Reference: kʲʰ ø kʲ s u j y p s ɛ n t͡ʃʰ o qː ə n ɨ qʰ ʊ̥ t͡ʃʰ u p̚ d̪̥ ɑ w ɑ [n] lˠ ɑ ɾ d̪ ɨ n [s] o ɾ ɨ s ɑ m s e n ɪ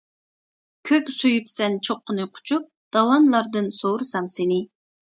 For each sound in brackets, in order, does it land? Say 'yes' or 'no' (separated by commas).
yes, yes